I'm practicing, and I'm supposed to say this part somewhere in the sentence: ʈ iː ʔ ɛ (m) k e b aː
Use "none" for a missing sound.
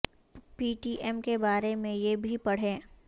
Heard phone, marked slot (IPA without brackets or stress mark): m